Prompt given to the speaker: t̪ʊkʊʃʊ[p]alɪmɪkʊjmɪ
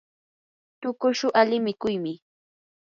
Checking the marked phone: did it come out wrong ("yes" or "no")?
yes